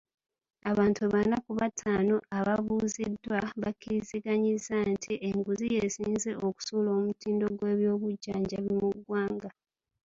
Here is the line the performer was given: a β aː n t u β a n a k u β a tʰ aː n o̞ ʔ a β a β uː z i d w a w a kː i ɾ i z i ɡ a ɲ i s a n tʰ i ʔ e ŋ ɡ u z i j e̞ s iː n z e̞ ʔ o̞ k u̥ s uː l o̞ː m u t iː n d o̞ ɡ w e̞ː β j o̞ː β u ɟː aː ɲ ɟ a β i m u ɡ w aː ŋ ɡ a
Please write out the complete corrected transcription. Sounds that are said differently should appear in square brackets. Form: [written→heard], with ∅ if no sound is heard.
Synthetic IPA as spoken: a β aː n t u β a n a k u β a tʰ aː n o̞ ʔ a β a β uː z i d w a [w→β] a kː i ɾ i z i ɡ a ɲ i [s→z] a n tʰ i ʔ e ŋ ɡ u z i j e̞ s iː n z e̞ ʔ o̞ k u̥ s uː l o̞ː m u t iː n d o̞ ɡ w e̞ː β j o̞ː β u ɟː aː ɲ ɟ a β i m u ɡ w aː ŋ ɡ a